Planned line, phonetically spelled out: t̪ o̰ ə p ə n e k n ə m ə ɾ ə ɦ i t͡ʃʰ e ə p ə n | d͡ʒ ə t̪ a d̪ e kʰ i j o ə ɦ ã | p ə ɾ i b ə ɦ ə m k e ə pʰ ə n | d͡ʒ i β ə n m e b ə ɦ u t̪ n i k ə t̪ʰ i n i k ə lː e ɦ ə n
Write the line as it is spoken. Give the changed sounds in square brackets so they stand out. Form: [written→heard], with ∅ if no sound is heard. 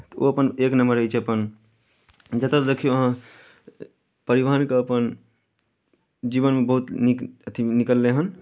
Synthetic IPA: t̪ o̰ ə p ə n e k n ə m ə ɾ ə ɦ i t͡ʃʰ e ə p ə n | d͡ʒ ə t̪ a d̪ e kʰ i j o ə ɦ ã | p ə ɾ i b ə ɦ ə [m→n] k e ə [pʰ→p] ə n | d͡ʒ i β ə n m e b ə ɦ u t̪ n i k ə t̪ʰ i n i k ə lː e ɦ ə n

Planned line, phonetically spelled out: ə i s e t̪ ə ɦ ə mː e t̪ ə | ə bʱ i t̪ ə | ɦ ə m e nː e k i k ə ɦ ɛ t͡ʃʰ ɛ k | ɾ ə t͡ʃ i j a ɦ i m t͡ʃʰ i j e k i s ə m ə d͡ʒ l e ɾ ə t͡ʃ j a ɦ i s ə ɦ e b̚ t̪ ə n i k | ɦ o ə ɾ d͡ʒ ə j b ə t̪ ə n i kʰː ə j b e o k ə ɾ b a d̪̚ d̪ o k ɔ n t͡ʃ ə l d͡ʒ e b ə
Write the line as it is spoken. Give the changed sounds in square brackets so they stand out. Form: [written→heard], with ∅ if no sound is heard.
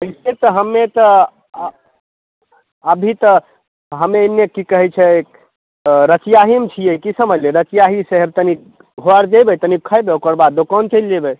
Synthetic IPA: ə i s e t̪ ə ɦ ə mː e t̪ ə | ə bʱ i t̪ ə | ɦ ə m e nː e k i k ə ɦ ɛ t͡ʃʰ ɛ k | ɾ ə t͡ʃ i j a ɦ i m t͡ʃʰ i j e k i s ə m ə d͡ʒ l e ɾ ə t͡ʃ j a ɦ i s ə ɦ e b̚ t̪ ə n i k | ɦ o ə ɾ d͡ʒ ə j b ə t̪ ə n i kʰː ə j b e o k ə ɾ b a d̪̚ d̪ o k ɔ n t͡ʃ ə l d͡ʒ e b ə

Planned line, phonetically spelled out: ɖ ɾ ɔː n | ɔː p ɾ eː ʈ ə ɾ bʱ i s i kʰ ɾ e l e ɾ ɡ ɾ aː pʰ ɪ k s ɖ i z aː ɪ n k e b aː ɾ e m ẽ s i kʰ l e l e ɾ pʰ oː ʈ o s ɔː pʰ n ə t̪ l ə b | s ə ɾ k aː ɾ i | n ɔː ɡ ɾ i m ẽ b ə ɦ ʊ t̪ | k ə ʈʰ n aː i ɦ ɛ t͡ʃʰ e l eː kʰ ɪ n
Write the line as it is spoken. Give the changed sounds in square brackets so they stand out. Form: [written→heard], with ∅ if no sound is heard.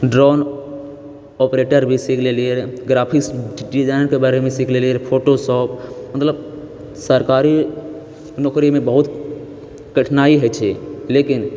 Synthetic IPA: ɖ ɾ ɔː n | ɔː p ɾ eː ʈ ə ɾ bʱ i s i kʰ [ɾ→l] e l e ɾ ɡ ɾ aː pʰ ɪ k s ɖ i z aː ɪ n k e b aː ɾ e m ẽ s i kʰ l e l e ɾ pʰ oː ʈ o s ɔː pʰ [n→m] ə t̪ l ə b | s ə ɾ k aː ɾ i | n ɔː [ɡ→k] ɾ i m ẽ b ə ɦ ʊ t̪ | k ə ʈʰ n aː i ɦ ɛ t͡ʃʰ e l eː [kʰ→k] ɪ n

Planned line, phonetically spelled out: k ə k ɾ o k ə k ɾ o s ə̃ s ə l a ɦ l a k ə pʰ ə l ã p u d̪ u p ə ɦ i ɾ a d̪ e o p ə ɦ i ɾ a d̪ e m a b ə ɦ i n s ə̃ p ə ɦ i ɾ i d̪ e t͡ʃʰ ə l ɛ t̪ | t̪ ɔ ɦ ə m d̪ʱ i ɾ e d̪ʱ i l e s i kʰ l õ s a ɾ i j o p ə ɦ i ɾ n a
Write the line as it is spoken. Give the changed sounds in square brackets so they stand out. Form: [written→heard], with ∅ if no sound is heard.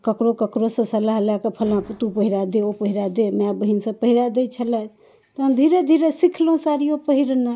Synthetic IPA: k ə k ɾ o k ə k ɾ o s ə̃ s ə l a ɦ l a k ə pʰ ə l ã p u [d̪→t̪] u p ə ɦ i ɾ a d̪ e o p ə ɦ i ɾ a d̪ e m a b ə ɦ i n s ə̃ p ə ɦ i ɾ [i→a] d̪ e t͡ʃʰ ə l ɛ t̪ | t̪ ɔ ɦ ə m d̪ʱ i ɾ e d̪ʱ i [l→ɾ] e s i kʰ l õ s a ɾ i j o p ə ɦ i ɾ n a

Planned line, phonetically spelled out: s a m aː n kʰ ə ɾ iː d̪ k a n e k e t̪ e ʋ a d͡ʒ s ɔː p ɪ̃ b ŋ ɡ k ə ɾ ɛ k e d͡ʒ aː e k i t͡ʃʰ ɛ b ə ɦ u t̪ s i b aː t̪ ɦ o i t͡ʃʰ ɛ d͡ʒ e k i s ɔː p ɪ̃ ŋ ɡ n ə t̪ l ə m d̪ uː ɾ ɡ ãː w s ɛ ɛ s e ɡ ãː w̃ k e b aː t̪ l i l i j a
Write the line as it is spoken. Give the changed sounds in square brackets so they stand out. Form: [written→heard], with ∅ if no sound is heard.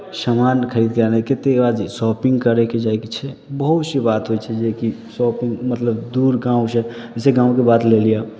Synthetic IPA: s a m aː n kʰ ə ɾ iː d̪ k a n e k e t̪ e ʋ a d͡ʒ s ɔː p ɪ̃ [b→∅] ŋ ɡ k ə ɾ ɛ k e d͡ʒ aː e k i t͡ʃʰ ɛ b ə ɦ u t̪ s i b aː t̪ ɦ o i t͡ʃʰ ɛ d͡ʒ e k i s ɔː p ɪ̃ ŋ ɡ [n→m] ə t̪ l ə [m→b] d̪ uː ɾ ɡ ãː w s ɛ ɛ s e ɡ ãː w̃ k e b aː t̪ l [i→e] l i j a

